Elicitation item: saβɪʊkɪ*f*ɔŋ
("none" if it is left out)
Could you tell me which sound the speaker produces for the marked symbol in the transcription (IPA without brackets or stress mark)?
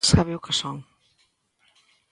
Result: s